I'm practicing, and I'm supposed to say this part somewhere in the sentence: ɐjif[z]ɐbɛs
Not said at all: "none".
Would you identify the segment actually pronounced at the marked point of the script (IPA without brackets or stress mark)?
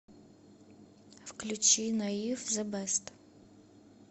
z